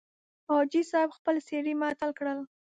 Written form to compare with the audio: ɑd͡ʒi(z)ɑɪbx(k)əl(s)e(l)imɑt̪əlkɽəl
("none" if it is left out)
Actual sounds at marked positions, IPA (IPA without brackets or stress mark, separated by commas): s, p, s, ɽ